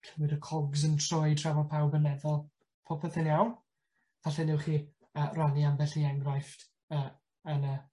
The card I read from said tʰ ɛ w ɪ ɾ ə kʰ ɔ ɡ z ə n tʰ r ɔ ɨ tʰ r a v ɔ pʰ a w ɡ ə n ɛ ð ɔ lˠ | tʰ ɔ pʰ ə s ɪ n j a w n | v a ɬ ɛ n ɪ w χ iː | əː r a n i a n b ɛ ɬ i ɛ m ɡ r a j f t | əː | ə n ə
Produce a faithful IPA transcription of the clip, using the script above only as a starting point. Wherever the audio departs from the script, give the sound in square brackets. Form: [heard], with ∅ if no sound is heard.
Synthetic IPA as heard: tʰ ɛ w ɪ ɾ ə kʰ ɔ ɡ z ə n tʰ r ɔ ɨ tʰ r a v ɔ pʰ a w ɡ ə n ɛ ð ɔ lˠ | [pʰ] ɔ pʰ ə [θ] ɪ n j a w n | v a ɬ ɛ n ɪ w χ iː | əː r a n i a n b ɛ ɬ i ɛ [ŋ] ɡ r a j f t | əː | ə n ə